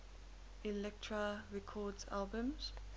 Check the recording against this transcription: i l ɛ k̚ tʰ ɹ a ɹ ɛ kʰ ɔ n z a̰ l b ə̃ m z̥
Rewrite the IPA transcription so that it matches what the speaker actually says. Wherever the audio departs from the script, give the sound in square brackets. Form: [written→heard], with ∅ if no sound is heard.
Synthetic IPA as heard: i l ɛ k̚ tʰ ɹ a ɹ ɛ kʰ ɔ [n→d] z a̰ l b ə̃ m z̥